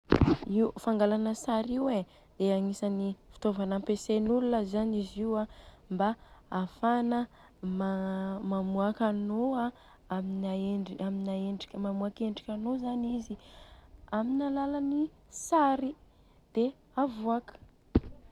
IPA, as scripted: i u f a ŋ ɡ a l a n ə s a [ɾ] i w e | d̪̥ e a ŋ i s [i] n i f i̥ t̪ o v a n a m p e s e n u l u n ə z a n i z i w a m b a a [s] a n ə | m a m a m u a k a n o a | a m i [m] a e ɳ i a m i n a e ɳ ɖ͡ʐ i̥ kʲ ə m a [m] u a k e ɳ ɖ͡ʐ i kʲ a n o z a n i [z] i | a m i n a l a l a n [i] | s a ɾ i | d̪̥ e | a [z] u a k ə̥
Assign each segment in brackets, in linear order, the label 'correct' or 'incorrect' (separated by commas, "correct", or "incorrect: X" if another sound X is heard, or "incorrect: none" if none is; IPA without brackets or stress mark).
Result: correct, incorrect: a, incorrect: f, incorrect: n, correct, correct, correct, incorrect: v